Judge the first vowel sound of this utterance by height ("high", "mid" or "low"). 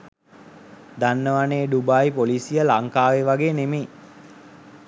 low